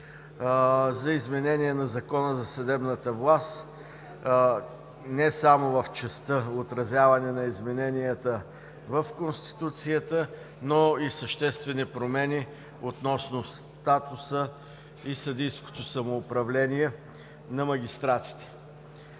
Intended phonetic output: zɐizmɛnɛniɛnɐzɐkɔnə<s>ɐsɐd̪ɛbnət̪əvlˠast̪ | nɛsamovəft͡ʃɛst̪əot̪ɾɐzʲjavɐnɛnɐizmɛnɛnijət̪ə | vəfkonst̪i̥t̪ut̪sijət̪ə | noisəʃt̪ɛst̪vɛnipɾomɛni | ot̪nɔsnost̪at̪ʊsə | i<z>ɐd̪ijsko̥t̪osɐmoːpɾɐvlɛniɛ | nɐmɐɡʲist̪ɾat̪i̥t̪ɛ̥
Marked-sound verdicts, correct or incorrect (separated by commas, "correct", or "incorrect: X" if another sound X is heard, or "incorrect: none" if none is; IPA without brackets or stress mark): incorrect: z, incorrect: s